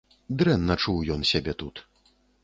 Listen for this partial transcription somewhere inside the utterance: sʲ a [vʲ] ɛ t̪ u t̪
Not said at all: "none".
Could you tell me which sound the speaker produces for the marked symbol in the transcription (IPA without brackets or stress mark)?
bʲ